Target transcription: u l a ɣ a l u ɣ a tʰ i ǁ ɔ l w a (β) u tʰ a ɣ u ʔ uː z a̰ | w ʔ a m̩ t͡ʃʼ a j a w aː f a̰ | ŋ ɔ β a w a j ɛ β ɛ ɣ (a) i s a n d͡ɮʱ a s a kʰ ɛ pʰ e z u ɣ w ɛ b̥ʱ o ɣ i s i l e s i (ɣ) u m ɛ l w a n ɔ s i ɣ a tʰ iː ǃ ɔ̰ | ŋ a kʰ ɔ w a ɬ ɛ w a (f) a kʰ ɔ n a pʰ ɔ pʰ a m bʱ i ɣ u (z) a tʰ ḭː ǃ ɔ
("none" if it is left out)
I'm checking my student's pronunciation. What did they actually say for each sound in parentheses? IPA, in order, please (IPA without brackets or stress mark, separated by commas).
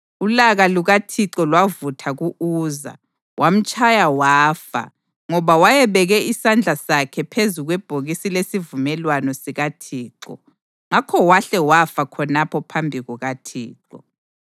v, ɛ, v, f, ɣ